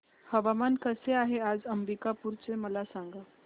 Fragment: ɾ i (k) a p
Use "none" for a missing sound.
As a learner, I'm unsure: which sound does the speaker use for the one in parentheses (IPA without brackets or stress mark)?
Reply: k